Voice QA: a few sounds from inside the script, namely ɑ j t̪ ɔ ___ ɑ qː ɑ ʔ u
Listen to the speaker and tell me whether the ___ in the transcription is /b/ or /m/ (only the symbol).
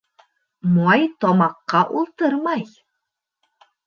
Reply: m